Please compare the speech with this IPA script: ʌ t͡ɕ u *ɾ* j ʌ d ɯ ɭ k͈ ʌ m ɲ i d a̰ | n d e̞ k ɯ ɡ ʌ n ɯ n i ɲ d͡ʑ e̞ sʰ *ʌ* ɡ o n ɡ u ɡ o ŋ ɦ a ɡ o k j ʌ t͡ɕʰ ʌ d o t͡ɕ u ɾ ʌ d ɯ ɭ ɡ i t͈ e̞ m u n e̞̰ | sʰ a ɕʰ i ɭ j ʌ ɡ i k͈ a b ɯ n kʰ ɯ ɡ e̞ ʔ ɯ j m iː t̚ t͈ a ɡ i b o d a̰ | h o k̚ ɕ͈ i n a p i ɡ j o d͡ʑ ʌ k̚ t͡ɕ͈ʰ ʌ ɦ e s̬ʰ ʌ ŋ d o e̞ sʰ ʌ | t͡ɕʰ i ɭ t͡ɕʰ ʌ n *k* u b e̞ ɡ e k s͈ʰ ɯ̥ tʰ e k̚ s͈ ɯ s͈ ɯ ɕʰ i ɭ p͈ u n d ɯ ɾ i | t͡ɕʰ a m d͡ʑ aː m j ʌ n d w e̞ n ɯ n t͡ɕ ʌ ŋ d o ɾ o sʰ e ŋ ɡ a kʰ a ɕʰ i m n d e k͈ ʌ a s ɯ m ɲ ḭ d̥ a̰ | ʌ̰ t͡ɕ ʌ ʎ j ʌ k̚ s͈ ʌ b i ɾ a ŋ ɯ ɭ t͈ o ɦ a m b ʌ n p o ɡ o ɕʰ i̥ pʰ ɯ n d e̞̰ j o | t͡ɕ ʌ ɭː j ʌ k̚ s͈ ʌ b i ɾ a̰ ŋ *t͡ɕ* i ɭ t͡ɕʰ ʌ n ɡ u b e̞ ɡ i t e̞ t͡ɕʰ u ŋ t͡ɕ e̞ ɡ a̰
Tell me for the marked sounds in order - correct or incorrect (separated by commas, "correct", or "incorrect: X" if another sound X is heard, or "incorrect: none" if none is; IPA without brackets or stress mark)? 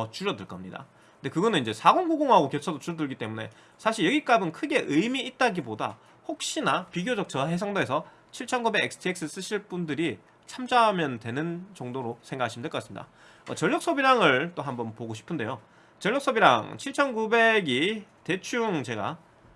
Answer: correct, incorrect: a, incorrect: ɡ, incorrect: t͡ɕʰ